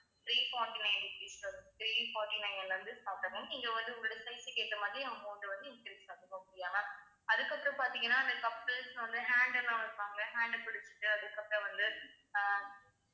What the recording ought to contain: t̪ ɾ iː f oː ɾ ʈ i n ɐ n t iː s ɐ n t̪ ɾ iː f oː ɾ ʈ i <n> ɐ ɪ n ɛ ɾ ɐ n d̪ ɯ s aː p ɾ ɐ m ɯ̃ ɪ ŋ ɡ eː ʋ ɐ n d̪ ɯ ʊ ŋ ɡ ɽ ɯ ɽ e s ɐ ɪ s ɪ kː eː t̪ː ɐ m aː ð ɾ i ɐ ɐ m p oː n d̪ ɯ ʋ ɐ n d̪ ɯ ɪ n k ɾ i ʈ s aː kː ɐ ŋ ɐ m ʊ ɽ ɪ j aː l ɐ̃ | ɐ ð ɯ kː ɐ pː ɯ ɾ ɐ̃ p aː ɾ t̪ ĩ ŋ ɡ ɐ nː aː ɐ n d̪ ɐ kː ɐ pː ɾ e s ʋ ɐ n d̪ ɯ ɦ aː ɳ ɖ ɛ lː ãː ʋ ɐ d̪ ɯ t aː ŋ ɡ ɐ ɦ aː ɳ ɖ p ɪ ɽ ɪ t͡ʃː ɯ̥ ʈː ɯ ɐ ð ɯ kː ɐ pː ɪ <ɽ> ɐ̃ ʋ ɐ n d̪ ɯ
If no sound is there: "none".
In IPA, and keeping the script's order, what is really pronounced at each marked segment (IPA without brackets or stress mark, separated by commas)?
n, ɾ